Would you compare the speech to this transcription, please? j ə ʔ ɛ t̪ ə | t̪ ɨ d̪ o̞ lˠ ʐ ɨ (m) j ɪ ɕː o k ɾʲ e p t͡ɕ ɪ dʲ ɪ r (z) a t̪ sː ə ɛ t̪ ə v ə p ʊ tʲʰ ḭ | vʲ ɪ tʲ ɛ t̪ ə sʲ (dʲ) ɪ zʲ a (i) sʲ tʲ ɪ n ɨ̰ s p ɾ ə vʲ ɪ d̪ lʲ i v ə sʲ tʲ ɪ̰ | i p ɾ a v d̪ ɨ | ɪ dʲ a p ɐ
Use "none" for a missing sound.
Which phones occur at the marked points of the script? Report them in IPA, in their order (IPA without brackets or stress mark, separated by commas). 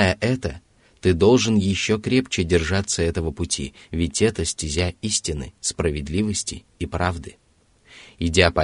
n, ʐ, tʲ, i